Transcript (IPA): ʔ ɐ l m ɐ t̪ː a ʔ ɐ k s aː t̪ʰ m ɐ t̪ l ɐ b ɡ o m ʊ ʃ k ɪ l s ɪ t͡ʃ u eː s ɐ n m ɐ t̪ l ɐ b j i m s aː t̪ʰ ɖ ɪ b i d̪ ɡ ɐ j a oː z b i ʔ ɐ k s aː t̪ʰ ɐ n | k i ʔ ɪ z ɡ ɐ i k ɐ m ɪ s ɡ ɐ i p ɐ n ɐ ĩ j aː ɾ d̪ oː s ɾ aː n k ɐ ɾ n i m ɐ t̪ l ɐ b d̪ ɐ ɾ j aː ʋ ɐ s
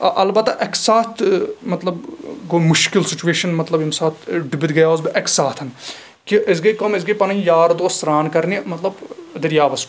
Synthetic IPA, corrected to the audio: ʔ ɐ l b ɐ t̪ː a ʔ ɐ k s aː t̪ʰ m ɐ t̪ l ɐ b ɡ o m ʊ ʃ k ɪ l s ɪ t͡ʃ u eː ʃ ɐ n m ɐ t̪ l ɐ b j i m s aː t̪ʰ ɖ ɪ b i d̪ ɡ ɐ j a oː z b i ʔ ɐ k s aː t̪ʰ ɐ n | k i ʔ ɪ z ɡ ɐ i k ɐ m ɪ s ɡ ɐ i p ɐ n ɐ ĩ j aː ɾ d̪ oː s ɾ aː n k ɐ ɾ n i m ɐ t̪ l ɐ b d̪ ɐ ɾ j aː ʋ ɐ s